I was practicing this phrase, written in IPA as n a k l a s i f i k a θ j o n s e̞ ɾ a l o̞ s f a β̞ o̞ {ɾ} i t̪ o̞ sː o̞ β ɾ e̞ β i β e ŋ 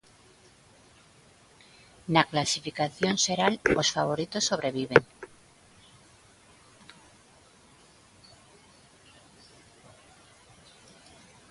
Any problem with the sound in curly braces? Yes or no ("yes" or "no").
no